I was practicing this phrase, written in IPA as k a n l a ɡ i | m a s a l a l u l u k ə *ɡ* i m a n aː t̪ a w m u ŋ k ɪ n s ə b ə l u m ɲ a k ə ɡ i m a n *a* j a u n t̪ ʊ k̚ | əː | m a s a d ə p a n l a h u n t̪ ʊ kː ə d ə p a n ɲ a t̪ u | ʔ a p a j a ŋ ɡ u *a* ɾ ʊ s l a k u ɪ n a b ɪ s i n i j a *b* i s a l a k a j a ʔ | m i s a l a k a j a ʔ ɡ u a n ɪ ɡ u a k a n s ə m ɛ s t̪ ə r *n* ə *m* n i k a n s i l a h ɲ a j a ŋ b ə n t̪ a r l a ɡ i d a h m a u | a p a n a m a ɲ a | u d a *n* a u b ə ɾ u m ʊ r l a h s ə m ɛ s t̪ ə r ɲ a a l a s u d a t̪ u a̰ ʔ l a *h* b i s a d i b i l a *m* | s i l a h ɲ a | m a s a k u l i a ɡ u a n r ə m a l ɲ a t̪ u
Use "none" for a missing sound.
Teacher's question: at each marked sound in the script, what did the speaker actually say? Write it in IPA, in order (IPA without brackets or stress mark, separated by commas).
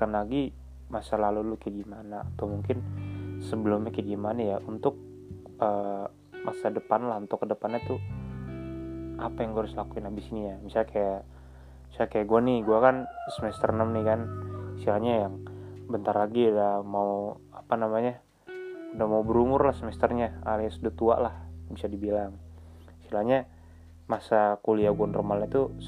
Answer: ɡ, a, a, m, n, m, m, h, ŋ